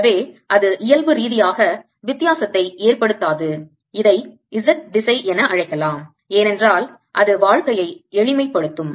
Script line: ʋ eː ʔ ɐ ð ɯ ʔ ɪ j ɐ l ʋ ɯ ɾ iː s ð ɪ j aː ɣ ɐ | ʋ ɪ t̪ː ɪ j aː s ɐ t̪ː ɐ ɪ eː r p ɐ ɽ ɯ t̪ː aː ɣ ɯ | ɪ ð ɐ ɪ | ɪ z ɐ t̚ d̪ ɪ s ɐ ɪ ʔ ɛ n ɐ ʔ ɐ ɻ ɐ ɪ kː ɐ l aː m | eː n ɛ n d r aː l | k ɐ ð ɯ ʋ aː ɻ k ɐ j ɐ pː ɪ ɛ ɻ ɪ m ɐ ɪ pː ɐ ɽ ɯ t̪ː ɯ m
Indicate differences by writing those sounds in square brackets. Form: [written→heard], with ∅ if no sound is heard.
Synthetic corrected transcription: ʋ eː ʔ ɐ ð ɯ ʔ ɪ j ɐ l ʋ ɯ ɾ iː [s→∅] ð ɪ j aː ɣ ɐ | ʋ ɪ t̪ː ɪ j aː s ɐ t̪ː ɐ ɪ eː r p ɐ ɽ ɯ t̪ː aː [ɣ→ð] ɯ | ɪ ð ɐ ɪ | ɪ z ɐ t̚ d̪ ɪ s ɐ ɪ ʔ ɛ n ɐ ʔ ɐ ɻ ɐ ɪ kː ɐ l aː m | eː n ɛ n d r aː l | [k→ʔ] ɐ ð ɯ ʋ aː ɻ k ɐ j ɐ [pː→∅] ɪ ɛ ɻ ɪ m ɐ ɪ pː ɐ ɽ ɯ t̪ː ɯ m